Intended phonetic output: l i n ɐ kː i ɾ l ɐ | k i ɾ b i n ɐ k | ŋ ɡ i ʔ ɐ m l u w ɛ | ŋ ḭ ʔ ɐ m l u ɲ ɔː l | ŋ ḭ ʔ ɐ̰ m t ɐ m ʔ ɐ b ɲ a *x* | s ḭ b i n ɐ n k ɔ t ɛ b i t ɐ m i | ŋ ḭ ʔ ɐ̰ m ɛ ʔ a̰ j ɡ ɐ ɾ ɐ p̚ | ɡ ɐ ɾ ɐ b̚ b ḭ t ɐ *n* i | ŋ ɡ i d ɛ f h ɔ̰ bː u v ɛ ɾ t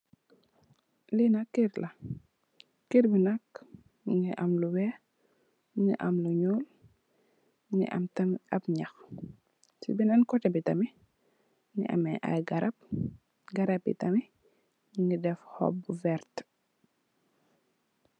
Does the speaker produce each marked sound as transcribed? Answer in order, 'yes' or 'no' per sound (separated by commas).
yes, no